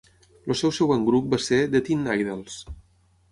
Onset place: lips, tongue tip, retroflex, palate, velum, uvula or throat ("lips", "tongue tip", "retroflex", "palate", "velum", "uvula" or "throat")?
tongue tip